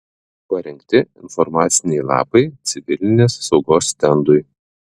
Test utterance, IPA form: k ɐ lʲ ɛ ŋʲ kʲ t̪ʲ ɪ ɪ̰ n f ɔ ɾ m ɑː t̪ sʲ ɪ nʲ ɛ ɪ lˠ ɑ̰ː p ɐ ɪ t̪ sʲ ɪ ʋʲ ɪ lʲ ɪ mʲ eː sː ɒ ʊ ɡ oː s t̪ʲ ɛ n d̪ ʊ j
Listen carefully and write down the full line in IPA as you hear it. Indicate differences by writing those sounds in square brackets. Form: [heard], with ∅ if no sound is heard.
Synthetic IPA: [p] ɐ [ɾʲ] ɛ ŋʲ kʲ t̪ʲ ɪ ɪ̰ n f ɔ ɾ m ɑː t̪ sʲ ɪ nʲ ɛ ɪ lˠ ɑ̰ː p ɐ ɪ t̪ sʲ ɪ ʋʲ ɪ lʲ ɪ [nʲ] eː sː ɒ ʊ ɡ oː s t̪ʲ ɛ n d̪ ʊ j